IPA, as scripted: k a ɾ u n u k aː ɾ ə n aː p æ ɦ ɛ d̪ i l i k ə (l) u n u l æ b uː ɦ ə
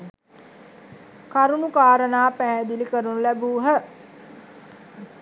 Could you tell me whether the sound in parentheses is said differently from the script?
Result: yes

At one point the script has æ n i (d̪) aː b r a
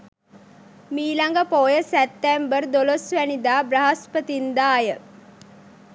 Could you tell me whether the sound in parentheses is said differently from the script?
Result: no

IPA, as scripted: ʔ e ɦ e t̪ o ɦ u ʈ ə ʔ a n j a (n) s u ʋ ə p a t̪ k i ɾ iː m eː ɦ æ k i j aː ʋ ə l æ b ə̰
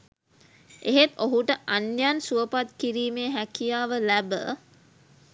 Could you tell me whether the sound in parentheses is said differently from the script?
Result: no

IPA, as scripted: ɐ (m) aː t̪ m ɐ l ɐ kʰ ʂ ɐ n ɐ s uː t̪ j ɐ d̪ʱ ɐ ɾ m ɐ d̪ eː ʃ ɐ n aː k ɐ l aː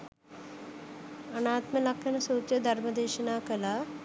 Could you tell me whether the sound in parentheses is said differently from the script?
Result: yes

